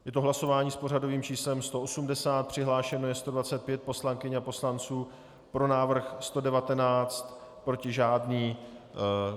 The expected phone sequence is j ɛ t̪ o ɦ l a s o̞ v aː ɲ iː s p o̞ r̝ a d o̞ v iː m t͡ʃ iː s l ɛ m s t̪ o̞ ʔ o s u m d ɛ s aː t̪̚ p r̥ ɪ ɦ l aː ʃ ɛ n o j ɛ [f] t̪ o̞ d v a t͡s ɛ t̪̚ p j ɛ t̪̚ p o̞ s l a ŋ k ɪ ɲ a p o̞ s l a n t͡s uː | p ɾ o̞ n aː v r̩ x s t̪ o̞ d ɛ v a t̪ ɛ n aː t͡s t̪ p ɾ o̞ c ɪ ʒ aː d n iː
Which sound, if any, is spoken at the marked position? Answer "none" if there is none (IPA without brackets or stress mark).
s